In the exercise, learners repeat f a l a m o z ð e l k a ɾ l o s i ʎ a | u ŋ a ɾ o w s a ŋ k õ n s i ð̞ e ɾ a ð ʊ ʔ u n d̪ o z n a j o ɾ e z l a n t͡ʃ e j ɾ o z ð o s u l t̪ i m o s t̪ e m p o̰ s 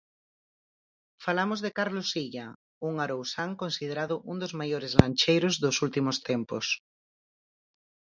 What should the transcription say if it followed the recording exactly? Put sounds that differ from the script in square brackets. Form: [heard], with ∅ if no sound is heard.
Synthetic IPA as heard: f a l a m o z ð e [∅] k a ɾ l o s i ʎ a | u ŋ a ɾ o w s a ŋ k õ n s i ð̞ e ɾ a ð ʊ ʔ u n d̪ o z [m] a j o ɾ e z l a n t͡ʃ e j ɾ o z ð o s u l t̪ i m o s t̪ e m p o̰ s

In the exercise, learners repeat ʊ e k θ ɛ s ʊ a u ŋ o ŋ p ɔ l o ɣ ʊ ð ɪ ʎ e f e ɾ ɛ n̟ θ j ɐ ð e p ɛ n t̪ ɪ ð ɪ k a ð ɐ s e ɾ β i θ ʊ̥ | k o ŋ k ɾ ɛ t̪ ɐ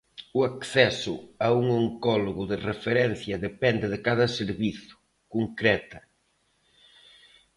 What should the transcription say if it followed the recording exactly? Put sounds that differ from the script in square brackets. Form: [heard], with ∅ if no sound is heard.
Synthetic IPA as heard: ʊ [a] k θ ɛ s ʊ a u ŋ o ŋ [k] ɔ l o ɣ ʊ ð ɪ [r] e f e ɾ ɛ n̟ θ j ɐ ð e p ɛ n [d̪] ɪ ð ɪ k a ð ɐ s e ɾ β i θ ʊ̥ | k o ŋ k ɾ ɛ t̪ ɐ

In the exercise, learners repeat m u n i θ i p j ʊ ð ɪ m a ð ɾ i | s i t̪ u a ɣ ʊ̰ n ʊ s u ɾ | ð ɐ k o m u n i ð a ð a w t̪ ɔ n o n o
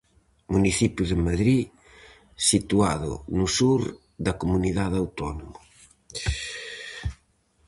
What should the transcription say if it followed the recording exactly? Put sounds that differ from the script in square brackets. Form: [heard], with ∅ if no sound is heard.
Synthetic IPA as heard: m u n i θ i p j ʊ ð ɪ m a ð ɾ i | s i t̪ u a [ð] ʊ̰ n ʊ s u ɾ | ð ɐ k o m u n i ð a ð a w t̪ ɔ n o [m] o

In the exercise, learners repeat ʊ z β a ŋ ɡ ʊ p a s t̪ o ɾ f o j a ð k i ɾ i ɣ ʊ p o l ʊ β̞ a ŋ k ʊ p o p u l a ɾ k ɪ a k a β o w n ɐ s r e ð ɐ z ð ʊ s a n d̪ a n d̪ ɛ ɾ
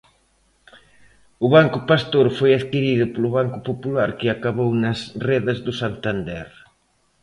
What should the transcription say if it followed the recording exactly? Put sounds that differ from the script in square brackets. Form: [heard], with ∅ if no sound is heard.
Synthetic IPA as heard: ʊ [∅] β a ŋ [k] ʊ p a s t̪ o ɾ f o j a ð k i ɾ i [ð] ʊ p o l ʊ β̞ a ŋ k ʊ p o p u l a ɾ k ɪ a k a β o w n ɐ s r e ð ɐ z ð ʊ s a n [t̪] a n d̪ ɛ ɾ

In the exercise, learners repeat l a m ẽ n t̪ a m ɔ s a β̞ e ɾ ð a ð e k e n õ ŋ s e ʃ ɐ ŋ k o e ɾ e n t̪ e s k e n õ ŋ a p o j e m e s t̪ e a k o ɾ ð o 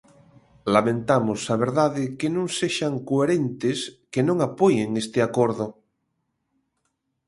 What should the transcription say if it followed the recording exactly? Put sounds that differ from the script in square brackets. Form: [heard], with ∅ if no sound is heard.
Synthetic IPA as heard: l a m ẽ n t̪ a m [o] s a β̞ e ɾ ð a ð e k e n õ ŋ s e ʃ [a] ŋ k o e ɾ e n t̪ e s k e n õ ŋ a p o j e [ŋ] e s t̪ e a k o ɾ ð o

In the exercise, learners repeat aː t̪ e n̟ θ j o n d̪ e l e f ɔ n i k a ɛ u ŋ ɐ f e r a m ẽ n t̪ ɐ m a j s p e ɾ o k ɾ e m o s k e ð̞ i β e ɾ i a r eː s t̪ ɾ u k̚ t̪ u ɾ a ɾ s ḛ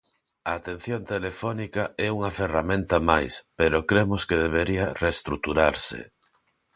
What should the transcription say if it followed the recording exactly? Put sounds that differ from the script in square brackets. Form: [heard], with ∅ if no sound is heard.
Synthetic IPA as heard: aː t̪ e n̟ θ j o n [t̪] e l e f ɔ n i k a ɛ u ŋ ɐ f e r a m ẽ n t̪ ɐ m a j s p e ɾ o k ɾ e m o s k e ð̞ [e] β e ɾ i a r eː s t̪ ɾ u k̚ t̪ u ɾ a ɾ s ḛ

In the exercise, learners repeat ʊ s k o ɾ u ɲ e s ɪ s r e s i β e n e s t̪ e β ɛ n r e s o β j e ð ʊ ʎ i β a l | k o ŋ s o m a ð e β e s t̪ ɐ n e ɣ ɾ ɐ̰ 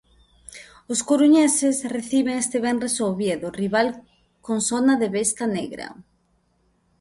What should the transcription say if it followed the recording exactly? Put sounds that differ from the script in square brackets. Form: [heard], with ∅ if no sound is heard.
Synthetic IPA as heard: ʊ s k o ɾ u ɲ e s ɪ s r e [θ] i β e [ŋ] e s t̪ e β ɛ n r e s o β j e ð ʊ [r] i β a l | k o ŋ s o [n] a ð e β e s t̪ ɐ n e ɣ ɾ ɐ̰

